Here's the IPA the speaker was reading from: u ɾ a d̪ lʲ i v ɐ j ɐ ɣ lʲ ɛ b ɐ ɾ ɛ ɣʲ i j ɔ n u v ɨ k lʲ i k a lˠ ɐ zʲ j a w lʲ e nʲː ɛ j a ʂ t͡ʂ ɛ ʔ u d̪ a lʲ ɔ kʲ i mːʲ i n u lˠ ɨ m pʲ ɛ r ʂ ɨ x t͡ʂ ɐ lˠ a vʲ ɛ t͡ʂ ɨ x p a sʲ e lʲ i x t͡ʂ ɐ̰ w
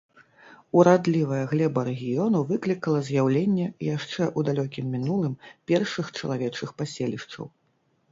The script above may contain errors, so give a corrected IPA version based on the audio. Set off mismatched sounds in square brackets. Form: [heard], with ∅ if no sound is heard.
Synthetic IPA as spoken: u ɾ a d̪ lʲ i v ɐ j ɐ ɣ lʲ ɛ b ɐ ɾ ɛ ɣʲ i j ɔ n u v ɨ k lʲ i k [ɐ] lˠ ɐ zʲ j a w lʲ e nʲː ɛ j a ʂ t͡ʂ ɛ ʔ u d̪ a lʲ ɔ kʲ i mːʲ i n u lˠ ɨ m pʲ ɛ r ʂ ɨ x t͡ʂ ɐ lˠ a vʲ ɛ t͡ʂ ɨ x p a sʲ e lʲ i [ʂ] t͡ʂ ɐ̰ w